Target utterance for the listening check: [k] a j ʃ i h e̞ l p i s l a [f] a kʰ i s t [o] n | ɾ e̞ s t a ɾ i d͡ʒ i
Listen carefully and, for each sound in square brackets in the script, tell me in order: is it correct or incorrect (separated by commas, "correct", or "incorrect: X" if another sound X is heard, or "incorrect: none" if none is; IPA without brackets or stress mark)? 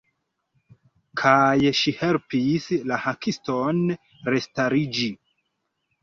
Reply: incorrect: kʰ, incorrect: h, correct